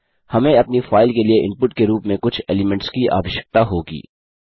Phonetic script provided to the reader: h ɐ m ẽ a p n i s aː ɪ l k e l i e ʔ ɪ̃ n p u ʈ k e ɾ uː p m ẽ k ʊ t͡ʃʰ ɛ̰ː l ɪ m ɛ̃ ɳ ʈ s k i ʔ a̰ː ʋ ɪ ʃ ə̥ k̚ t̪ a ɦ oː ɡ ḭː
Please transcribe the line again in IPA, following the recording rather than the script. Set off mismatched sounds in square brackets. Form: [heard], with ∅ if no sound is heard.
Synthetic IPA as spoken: h ɐ m ẽ [ɐ] p n i [f] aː ɪ l k e l i e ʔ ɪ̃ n p [ʊ] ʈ k e ɾ uː p m ẽ k ʊ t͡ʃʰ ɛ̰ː l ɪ m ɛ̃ ɳ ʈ s k i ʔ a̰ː ʋ ɪ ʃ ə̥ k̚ t̪ a ɦ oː ɡ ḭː